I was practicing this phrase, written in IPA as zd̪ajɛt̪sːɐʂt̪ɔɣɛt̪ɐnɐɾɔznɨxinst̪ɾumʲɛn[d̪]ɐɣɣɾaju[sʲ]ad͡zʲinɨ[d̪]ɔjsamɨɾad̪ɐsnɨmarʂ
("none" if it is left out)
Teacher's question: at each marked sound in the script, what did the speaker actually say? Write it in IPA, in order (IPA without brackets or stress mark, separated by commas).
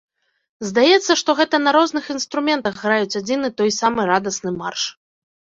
t̪, t͡sʲ, t̪